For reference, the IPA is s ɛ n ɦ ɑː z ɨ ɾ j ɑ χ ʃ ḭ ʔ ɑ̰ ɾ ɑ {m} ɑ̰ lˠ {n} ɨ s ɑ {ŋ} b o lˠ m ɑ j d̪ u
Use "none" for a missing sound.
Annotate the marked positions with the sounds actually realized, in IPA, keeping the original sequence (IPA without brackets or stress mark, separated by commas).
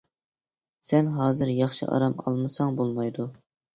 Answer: m, m, ŋ